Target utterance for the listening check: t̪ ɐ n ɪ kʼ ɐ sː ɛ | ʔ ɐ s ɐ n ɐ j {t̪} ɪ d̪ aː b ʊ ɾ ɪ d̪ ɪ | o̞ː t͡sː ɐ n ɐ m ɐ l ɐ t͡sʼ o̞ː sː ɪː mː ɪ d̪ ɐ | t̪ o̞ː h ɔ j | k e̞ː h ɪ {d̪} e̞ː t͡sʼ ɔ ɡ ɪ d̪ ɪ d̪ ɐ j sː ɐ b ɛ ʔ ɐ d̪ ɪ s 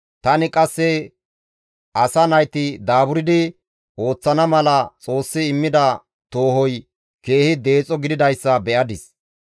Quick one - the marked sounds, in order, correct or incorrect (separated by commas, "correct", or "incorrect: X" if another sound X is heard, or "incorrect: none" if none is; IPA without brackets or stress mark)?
correct, correct